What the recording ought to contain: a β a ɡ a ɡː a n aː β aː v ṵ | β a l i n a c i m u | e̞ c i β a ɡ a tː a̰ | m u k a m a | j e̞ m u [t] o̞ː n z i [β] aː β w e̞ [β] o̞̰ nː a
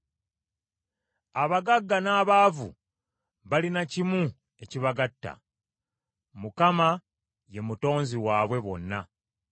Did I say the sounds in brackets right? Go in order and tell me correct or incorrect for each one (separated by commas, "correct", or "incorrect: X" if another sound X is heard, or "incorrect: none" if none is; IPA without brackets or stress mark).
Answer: correct, incorrect: w, correct